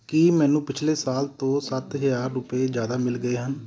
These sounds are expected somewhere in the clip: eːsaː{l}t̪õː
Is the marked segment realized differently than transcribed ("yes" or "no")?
no